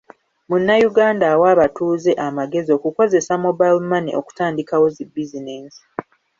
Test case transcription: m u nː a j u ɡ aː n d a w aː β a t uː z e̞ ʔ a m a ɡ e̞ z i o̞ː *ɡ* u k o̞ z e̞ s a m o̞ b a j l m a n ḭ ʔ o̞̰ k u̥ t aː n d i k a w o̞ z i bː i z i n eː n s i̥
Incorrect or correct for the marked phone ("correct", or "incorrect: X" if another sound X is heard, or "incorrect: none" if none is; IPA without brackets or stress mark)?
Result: incorrect: k